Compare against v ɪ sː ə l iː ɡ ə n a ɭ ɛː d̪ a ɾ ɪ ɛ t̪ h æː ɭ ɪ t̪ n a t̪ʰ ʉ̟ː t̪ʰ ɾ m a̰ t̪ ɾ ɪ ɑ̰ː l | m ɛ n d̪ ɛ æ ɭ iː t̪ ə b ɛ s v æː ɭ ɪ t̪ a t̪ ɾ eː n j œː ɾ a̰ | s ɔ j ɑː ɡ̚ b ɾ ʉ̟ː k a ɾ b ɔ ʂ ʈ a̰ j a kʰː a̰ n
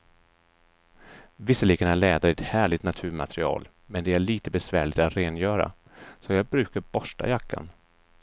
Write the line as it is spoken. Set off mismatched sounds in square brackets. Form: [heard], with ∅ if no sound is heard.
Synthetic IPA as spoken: v ɪ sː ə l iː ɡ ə n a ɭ ɛː d̪ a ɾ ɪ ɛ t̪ h æː ɭ ɪ t̪ n a t̪ʰ ʉ̟ː [∅] ɾ m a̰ t̪ ɾ ɪ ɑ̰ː l | m ɛ n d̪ ɛ æ ɭ iː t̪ ə b ɛ s v æː ɭ ɪ t̪ a t̪ ɾ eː n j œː ɾ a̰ | s ɔ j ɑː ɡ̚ b ɾ ʉ̟ː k a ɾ b ɔ ʂ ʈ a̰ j a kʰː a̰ n